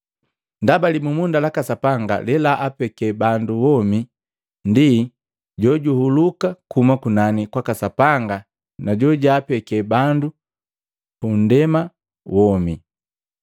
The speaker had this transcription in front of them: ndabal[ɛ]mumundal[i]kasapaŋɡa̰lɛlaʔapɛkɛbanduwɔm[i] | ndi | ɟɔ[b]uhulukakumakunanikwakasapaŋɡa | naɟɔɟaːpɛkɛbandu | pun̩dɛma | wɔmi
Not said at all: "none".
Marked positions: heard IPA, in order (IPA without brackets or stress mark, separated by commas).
i, a, i, ɟ